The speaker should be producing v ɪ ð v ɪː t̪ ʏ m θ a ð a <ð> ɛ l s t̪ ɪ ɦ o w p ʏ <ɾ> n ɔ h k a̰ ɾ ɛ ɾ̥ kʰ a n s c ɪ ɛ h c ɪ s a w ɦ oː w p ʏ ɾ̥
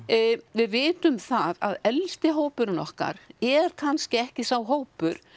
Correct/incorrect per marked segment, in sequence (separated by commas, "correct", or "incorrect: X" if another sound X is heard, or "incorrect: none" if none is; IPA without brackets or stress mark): correct, correct